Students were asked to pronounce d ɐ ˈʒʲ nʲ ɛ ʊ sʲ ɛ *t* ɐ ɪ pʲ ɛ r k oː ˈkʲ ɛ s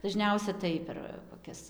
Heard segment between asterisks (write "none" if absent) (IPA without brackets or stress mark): t